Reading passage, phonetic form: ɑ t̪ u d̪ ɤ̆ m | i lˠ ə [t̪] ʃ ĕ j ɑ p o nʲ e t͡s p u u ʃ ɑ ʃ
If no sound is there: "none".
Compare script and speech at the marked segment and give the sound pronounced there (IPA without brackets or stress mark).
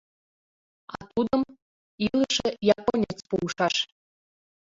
none